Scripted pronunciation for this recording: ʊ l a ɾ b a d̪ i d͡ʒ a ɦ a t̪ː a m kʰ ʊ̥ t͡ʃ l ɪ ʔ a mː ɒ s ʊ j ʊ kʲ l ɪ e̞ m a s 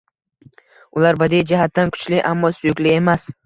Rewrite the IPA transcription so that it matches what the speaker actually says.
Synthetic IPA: ʊ l a ɾ b a d̪ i d͡ʒ a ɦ a t̪ː a n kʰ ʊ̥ t͡ʃ l ɪ ʔ a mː ɒ s ʊ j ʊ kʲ l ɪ e̞ m a s